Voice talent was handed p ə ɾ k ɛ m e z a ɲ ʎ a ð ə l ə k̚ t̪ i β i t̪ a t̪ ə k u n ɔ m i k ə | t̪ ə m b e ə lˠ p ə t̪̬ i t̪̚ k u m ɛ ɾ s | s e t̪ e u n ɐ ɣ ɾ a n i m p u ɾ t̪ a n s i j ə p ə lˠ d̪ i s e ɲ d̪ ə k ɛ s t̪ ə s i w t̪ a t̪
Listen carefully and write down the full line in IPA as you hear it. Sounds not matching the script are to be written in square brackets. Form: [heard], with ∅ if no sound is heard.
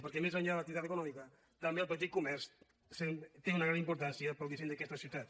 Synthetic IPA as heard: p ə ɾ k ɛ m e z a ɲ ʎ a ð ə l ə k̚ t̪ i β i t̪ a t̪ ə k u n ɔ m i k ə | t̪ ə m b e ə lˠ p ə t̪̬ i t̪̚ k u m ɛ ɾ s | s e t̪ e u n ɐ ɣ ɾ a n i m p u ɾ t̪ a n s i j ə p ə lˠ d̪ i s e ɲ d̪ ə k ɛ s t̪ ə s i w t̪ a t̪